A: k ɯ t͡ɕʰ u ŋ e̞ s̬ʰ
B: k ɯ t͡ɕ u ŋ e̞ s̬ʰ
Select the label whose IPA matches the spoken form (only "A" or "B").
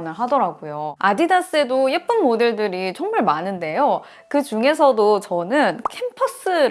B